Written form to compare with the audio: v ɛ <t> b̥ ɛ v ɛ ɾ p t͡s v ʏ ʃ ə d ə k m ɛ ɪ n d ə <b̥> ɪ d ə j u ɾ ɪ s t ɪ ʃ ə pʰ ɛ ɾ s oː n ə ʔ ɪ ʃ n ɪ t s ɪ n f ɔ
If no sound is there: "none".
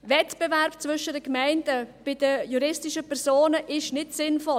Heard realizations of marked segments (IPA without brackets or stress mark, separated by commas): t, b̥